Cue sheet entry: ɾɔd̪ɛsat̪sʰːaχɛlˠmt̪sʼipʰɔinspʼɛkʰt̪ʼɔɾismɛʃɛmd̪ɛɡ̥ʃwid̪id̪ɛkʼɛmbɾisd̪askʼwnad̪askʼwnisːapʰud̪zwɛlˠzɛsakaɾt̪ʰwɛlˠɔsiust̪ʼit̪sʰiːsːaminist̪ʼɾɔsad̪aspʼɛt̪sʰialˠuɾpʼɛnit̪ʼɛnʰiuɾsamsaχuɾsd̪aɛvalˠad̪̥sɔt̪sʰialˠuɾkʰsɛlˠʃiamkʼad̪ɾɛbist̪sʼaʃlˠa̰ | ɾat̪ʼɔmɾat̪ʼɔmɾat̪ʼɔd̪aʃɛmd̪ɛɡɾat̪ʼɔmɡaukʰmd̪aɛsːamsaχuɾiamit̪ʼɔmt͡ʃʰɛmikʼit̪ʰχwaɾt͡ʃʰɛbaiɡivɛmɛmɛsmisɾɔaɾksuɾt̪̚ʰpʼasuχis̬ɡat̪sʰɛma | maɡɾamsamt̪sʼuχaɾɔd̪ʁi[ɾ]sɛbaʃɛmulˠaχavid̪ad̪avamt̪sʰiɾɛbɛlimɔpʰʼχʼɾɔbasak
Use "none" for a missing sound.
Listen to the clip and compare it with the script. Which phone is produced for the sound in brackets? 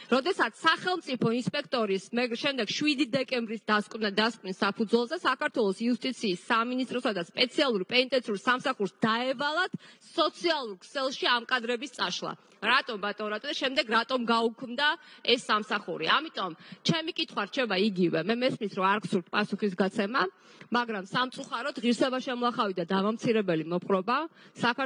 ɾ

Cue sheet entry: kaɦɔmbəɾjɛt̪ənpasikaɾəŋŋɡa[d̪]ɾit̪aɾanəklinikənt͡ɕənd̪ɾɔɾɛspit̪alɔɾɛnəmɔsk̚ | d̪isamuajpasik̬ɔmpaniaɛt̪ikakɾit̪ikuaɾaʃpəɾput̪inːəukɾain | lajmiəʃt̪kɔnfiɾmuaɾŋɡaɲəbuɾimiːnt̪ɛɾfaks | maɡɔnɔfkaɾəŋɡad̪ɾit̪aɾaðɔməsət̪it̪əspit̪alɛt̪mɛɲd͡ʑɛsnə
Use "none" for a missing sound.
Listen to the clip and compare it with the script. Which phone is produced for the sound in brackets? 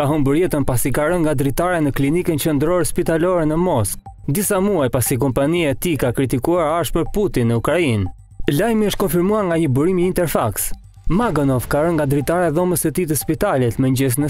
d̪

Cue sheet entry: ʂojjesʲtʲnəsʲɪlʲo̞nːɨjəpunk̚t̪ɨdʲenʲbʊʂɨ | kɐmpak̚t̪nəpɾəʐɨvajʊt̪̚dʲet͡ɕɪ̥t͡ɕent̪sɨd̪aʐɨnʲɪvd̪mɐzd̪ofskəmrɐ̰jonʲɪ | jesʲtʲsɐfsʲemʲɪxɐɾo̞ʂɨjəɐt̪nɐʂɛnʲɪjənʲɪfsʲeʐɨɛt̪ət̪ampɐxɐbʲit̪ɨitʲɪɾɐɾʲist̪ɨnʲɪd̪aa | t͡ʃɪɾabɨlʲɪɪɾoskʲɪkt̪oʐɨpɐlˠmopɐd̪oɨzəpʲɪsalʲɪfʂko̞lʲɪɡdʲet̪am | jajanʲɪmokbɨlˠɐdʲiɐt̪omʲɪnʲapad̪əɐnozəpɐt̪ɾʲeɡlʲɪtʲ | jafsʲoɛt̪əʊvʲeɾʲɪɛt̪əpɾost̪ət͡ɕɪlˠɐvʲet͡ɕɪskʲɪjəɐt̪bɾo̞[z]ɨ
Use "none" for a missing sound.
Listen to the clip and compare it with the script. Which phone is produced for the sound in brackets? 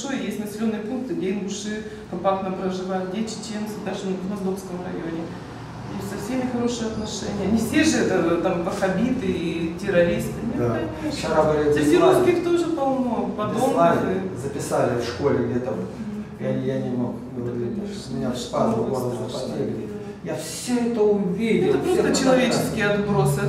s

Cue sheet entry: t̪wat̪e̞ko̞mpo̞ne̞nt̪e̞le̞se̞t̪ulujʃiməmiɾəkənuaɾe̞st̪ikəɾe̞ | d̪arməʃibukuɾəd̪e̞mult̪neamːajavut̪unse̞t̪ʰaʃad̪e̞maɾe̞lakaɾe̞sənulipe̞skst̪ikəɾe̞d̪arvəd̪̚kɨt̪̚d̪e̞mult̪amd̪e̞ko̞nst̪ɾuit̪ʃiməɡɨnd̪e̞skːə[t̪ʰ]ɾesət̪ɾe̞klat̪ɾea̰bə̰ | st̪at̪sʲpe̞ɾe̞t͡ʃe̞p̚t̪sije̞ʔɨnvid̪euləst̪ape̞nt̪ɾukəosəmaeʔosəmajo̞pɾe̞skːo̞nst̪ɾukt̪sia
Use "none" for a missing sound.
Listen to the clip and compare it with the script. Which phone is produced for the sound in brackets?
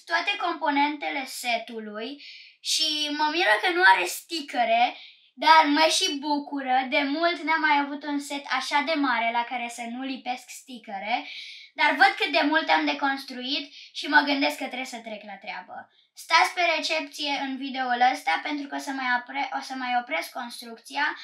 t̪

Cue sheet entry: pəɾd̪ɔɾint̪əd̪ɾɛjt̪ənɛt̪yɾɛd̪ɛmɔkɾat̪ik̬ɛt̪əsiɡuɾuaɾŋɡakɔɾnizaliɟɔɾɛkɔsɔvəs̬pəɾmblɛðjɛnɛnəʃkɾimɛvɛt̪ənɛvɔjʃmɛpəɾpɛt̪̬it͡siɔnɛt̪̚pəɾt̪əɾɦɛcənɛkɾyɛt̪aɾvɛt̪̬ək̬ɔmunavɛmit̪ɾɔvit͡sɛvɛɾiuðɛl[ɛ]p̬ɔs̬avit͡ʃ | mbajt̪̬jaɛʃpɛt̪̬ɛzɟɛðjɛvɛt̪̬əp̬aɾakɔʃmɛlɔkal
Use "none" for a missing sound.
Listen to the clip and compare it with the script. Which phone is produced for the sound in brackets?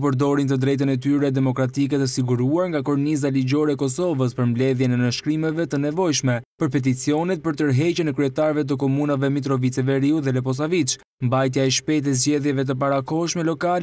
ɛ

